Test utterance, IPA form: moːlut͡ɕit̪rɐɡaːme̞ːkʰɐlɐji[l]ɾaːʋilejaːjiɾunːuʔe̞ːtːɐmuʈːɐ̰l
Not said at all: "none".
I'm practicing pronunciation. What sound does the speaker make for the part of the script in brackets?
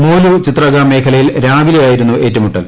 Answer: l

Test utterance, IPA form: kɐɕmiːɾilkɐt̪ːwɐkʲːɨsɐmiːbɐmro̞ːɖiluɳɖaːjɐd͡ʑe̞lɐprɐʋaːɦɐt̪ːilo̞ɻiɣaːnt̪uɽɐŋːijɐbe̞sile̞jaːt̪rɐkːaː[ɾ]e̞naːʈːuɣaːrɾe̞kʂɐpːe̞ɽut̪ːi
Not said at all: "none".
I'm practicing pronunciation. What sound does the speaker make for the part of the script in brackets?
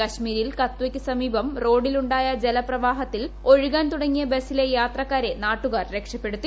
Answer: ɾ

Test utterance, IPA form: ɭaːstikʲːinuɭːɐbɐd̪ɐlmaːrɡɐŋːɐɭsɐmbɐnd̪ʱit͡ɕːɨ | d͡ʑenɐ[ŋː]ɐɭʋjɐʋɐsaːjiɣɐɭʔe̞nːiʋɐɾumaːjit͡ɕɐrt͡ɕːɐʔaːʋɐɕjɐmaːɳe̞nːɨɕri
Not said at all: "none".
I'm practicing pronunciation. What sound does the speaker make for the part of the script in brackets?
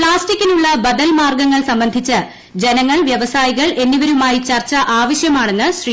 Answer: ŋː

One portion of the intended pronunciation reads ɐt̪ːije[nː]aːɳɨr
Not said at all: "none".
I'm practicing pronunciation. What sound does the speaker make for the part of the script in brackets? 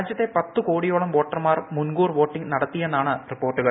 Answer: nː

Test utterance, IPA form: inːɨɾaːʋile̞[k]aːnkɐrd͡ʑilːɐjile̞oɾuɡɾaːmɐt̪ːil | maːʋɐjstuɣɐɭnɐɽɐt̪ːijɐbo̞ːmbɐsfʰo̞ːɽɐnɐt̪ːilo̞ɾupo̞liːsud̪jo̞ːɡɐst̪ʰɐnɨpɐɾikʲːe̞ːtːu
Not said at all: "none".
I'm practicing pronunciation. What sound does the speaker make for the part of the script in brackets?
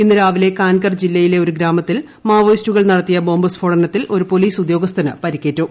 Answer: k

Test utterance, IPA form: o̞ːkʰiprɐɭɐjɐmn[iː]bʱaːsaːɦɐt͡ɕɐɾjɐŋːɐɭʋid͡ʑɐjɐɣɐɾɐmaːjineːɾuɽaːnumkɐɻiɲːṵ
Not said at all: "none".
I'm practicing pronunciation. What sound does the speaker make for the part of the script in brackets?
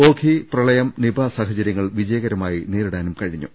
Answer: i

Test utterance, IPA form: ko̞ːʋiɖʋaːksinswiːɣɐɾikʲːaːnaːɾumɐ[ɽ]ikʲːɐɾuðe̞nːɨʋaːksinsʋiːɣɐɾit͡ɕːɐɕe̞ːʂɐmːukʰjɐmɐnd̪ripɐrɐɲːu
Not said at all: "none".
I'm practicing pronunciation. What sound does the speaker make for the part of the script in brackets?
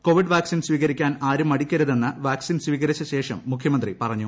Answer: ɽ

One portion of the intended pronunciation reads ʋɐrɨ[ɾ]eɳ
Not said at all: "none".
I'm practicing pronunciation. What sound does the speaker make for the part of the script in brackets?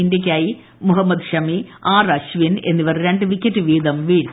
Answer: ɾ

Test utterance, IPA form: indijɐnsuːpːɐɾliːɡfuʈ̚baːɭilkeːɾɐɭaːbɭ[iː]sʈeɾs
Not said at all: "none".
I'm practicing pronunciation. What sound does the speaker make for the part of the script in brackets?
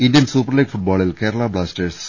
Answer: aː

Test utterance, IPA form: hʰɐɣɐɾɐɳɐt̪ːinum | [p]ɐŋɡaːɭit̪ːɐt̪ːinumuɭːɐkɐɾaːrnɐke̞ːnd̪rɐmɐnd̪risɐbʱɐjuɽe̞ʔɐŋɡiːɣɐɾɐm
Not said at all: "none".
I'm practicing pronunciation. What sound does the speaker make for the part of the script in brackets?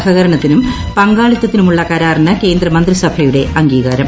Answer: p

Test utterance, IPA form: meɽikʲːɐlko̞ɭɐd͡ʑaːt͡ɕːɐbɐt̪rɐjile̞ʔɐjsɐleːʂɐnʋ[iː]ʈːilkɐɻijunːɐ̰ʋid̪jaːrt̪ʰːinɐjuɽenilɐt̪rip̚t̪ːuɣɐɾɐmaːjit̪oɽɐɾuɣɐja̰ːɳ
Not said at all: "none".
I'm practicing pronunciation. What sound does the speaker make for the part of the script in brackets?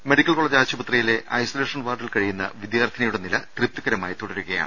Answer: aː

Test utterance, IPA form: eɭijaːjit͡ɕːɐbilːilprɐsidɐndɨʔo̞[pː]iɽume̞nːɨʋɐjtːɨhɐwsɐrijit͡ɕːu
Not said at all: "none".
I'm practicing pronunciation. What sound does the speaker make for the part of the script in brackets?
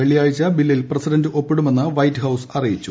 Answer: pː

